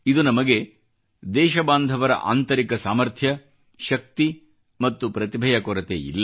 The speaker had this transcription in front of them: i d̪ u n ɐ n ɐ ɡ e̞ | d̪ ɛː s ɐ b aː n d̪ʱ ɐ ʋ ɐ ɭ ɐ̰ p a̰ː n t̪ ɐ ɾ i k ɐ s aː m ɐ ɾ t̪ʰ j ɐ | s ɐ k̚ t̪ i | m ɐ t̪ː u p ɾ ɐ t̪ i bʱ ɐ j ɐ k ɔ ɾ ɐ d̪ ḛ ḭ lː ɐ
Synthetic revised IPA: i d̪ u n ɐ m ɐ ɡ e̞ | d̪ ɛː ʃ ɐ b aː n d̪ʱ ɐ ʋ ɐ ɾ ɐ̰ ʔ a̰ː n t̪ ɐ ɾ i k ɐ s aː m ɐ ɾ t̪ʰ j ɐ | ʃ ɐ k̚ t̪ i | m ɐ t̪ː u p ɾ ɐ t̪ i bʱ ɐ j ɐ k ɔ ɾ ɐ t̪ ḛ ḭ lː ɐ

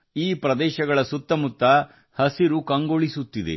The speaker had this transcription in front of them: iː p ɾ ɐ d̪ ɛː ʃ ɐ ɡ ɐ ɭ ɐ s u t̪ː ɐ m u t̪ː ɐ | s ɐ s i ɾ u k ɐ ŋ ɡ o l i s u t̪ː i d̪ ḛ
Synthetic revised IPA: iː p ɾ ɐ d̪ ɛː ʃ ɐ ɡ ɐ ɭ ɐ s u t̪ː ɐ m u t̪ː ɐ | h ɐ s i ɾ u k ɐ ŋ ɡ o ɭ i s u t̪ː i d̪ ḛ

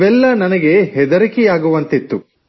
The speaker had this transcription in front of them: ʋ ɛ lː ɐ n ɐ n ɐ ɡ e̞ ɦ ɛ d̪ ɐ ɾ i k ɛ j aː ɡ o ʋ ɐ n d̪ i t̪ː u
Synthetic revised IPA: ʋ ɛ lː ɐ n ɐ n ɐ ɡ e̞ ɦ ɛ d̪ ɐ ɾ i k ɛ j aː ɡ u ʋ ɐ n t̪ i t̪ː u

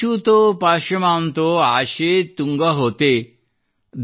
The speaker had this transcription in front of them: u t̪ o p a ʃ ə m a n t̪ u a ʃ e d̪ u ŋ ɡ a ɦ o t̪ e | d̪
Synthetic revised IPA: u t̪ o p a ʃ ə m a n t̪ o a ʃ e t̪ u ŋ ɡ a ɦ o t̪ e | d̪

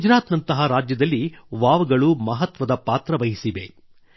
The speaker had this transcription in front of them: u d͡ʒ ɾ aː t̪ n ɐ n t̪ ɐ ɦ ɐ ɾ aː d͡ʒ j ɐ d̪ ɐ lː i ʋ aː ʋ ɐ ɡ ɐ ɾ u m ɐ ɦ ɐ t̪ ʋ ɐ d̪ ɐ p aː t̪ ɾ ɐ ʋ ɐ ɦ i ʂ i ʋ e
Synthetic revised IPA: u d͡ʒ ɾ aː t̪ n ɐ n t̪ ɐ ɦ ɐ ɾ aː d͡ʒ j ɐ d̪ ɐ lː i ʋ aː ʋ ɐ ɡ ɐ ɭ u m ɐ ɦ ɐ t̪ ʋ ɐ d̪ ɐ p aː t̪ ɾ ɐ ʋ ɐ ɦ i s i ʋ e

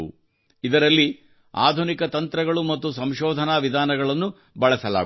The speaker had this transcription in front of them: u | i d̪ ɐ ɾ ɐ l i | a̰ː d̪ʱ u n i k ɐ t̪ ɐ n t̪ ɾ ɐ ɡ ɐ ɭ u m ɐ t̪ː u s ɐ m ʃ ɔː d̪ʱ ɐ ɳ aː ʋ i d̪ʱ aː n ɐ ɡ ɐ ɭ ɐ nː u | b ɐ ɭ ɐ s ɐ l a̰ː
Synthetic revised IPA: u | i d̪ ɐ ɾ ɐ lː i | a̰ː d̪ʱ u n i k ɐ t̪ ɐ n t̪ ɾ ɐ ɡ ɐ ɭ u m ɐ t̪ː u s ɐ m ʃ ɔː d̪ʱ ɐ n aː ʋ i d̪ʱ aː n ɐ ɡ ɐ ɭ ɐ nː u | b ɐ ɭ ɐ s ɐ l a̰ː

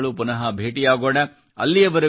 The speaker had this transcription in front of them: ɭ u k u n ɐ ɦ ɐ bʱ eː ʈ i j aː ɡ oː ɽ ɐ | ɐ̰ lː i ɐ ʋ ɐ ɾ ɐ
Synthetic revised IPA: ɭ u p u n ɐ ɦ ɐ bʱ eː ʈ i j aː ɡ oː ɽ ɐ | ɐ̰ lː i ɐ ʋ ɐ ɾ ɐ

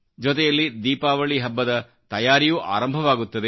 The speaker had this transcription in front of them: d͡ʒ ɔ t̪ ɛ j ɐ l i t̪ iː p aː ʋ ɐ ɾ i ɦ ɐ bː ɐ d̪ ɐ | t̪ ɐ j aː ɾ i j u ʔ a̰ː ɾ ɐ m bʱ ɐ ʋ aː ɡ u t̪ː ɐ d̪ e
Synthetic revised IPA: d͡ʒ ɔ t̪ ɛ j ɐ lː i d̪ iː p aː ʋ ɐ ɭ i ɦ ɐ bː ɐ d̪ ɐ | t̪ ɐ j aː ɾ i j u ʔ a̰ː ɾ ɐ m bʱ ɐ ʋ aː ɡ u t̪ː ɐ d̪ e

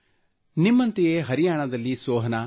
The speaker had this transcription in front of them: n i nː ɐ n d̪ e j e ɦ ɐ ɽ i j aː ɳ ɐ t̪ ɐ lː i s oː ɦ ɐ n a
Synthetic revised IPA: n i mː ɐ n t̪ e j e ɦ ɐ ɾ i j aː ɳ ɐ d̪ ɐ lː i s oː ɦ ɐ n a

